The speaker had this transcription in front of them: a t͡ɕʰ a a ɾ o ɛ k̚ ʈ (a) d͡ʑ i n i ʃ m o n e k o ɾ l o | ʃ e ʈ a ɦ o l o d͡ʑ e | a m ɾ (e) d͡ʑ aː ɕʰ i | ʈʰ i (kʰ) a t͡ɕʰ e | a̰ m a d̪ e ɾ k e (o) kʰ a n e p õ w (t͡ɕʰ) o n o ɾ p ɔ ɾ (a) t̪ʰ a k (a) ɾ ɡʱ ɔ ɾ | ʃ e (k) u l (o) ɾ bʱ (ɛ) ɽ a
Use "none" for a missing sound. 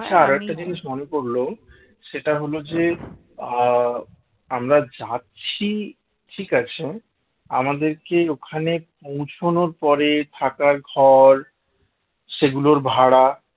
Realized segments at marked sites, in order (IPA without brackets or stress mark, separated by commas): a, a, k, o, t͡ɕʰ, e, a, ɡ, o, a